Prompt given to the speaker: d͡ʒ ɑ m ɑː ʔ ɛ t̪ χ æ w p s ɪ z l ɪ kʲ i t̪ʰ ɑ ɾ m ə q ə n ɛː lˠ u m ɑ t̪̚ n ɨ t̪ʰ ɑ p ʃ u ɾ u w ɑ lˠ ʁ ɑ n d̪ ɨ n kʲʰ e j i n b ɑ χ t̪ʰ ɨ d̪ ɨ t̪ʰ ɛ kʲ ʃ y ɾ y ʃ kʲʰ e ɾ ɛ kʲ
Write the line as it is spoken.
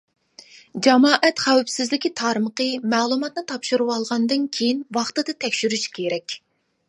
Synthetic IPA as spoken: d͡ʒ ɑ m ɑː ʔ ɛ t̪ χ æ w p s ɪ z l ɪ kʲ i t̪ʰ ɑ ɾ m ə q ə m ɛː lˠ u m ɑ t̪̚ n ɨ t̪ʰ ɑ p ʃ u ɾ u w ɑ lˠ ʁ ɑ n d̪ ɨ n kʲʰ e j i n w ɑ χ t̪ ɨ d̪ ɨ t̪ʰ ɛ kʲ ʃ y ɾ y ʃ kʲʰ e ɾ ɛ kʲ

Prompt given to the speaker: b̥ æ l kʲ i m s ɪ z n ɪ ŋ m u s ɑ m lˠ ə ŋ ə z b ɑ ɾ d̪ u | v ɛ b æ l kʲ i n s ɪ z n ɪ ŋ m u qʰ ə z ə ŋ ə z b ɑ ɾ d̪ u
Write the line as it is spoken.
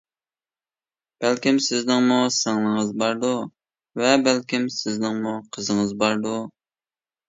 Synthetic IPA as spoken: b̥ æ l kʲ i m s ɪ z n ɪ ŋ m u s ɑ ŋ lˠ ə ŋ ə z b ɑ ɾ d̪ u | v ɛ b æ l kʲ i m s ɪ z n ɪ ŋ m u qʰ ə z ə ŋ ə z b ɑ ɾ d̪ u

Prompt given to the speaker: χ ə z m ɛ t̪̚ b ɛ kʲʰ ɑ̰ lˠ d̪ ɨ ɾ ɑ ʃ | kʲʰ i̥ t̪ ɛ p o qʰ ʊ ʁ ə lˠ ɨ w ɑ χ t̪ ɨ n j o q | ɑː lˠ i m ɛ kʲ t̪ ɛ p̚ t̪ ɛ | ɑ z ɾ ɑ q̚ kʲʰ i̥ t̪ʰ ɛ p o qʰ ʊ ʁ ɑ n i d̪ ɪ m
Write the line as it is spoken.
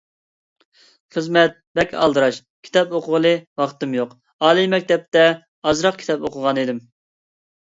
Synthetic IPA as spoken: χ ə z m ɛ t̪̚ b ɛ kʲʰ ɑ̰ lˠ d̪ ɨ ɾ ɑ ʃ | kʲʰ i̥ t̪ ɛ p o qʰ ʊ ʁ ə lˠ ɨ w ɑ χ t̪ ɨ m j o q | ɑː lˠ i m ɛ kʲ t̪ ɛ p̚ t̪ ɛ | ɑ z ɾ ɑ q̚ kʲʰ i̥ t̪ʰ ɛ p o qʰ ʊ ʁ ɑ n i d̪ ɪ m

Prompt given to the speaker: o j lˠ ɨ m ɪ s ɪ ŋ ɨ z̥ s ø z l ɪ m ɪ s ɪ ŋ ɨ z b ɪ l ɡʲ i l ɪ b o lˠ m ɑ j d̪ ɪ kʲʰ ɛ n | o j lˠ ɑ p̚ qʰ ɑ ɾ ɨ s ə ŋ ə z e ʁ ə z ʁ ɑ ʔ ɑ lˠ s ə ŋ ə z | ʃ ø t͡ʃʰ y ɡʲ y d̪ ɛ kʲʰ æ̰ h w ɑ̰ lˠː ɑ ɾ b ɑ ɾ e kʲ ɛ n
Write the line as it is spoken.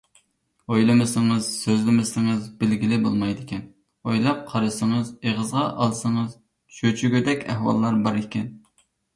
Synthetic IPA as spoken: o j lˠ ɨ m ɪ s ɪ ŋ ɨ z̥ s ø z l ɪ m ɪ s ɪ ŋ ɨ z b ɪ l ɡʲ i l ɪ b o lˠ m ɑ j d̪ ɪ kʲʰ ɛ n | o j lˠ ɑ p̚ qʰ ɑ ɾ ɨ s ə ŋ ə z e ʁ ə z ʁ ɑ ʔ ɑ lˠ s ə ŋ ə z | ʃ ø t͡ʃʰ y ɡʲ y d̪ ɛ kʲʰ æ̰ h w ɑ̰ lˠː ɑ ɾ b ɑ ɾ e kʲ ɛ n

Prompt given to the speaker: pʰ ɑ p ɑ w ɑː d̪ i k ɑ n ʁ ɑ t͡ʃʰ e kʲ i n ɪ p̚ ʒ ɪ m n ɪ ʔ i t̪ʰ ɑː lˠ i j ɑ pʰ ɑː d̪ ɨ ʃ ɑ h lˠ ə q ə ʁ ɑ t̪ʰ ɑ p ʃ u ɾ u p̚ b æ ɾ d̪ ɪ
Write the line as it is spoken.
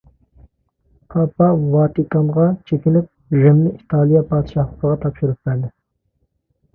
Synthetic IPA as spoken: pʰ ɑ p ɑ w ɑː t̪ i k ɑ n ʁ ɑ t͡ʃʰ e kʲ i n ɪ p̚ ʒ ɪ m n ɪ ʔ i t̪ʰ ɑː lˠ i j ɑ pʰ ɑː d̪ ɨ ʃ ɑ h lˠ ə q ə ʁ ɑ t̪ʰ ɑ p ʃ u ɾ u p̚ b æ ɾ d̪ ɪ

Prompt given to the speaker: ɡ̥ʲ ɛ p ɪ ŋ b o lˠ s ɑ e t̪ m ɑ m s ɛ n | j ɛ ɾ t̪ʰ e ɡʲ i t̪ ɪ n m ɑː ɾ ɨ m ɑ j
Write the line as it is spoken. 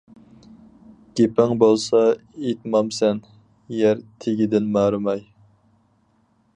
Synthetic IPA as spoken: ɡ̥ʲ e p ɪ ŋ b o lˠ s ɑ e t̪ m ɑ m s ɛ n | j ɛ ɾ t̪ʰ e ɡʲ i d̪ ɪ n m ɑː ɾ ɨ m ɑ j

